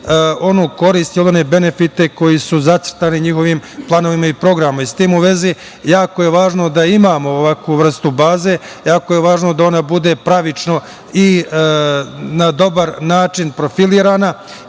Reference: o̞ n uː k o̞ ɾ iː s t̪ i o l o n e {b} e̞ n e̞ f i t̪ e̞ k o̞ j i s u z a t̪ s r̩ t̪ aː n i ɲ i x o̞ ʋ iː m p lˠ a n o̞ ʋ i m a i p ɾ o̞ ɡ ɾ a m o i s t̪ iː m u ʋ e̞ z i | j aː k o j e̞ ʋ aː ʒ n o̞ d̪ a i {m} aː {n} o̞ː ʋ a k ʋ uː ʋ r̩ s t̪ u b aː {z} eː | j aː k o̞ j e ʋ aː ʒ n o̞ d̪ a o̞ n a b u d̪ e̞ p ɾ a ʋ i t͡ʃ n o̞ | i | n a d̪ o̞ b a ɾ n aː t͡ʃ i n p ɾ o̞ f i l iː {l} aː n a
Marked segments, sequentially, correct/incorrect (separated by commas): correct, correct, incorrect, correct, incorrect